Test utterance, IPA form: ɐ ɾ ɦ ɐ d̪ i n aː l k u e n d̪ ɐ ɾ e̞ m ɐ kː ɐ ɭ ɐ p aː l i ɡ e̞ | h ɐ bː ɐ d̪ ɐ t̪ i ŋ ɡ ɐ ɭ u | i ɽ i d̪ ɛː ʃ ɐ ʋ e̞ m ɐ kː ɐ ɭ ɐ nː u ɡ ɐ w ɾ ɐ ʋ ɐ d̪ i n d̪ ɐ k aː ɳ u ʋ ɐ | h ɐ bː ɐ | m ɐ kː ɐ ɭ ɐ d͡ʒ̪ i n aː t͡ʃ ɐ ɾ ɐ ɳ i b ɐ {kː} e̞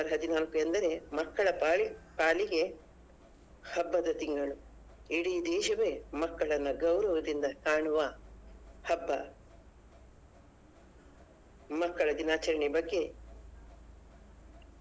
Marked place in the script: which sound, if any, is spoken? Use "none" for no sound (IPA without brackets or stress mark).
ɡː